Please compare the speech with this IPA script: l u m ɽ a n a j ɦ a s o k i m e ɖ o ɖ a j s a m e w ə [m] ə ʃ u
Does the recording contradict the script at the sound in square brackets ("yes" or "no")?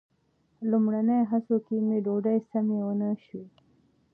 yes